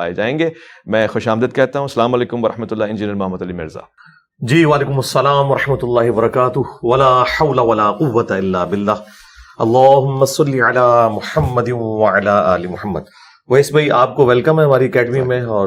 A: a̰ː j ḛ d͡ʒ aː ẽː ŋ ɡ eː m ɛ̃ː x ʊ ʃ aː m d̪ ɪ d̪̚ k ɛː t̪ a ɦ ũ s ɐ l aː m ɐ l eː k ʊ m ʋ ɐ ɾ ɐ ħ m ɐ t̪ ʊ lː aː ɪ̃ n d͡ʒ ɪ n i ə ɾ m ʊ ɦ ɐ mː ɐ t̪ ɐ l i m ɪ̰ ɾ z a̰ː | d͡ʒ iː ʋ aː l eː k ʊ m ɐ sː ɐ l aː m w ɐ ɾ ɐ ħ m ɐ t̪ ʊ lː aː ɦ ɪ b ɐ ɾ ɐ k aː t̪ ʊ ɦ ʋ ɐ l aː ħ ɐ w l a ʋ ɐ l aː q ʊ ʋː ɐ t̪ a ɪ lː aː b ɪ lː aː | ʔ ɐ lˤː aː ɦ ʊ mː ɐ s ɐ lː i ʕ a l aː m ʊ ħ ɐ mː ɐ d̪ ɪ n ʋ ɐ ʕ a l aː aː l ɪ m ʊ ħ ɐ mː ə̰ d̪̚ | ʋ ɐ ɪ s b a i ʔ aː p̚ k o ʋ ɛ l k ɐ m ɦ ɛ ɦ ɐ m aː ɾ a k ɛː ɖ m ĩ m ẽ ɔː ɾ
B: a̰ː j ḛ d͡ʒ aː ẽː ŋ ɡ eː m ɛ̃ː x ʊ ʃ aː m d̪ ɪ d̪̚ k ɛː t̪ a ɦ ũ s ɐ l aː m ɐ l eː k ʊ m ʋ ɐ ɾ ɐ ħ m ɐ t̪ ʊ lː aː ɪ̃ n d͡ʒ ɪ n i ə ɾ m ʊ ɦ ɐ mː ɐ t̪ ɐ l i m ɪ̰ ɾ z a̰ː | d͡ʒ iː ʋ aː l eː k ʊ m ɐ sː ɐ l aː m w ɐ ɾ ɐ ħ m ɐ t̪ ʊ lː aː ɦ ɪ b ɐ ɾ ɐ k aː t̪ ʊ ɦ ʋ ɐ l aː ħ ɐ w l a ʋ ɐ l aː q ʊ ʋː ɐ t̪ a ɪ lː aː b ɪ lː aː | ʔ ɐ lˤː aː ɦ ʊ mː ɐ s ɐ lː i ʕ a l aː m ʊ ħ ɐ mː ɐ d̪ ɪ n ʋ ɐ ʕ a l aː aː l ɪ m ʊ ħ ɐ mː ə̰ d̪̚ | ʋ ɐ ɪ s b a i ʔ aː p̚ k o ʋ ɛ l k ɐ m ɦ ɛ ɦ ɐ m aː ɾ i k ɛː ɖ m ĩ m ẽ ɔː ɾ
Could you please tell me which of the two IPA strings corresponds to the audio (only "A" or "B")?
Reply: B